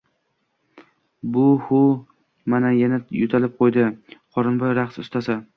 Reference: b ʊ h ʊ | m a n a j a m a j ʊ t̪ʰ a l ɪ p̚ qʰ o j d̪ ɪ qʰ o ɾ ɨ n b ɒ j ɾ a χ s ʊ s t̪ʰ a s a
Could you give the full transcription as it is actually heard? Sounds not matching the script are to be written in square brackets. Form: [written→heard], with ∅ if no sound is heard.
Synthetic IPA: b ʊ h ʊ | m a n a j a [m→n] a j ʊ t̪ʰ a l ɪ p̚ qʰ o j d̪ ɪ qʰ [o→ɒ] ɾ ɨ n b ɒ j ɾ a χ s ʊ s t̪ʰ a s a